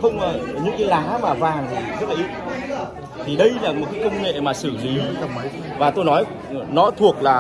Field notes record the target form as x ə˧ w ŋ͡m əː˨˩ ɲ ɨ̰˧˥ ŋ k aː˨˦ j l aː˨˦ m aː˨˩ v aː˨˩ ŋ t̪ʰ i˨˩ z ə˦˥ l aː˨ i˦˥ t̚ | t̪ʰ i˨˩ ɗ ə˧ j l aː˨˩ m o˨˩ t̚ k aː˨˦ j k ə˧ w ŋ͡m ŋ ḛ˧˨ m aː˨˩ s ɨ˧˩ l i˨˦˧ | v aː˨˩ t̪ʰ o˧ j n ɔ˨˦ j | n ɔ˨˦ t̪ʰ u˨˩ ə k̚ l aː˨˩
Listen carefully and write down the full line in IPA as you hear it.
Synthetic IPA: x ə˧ w ŋ͡m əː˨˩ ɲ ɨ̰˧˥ ŋ k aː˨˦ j l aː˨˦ m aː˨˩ v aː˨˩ ŋ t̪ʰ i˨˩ z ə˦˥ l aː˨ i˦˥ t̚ | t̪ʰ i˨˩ ɗ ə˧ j l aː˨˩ m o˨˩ t̚ k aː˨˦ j k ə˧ w ŋ͡m ŋ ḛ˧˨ m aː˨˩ s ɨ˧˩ l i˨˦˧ | v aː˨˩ t̪ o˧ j n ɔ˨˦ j | n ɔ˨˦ t̪ʰ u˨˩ ə k̚ l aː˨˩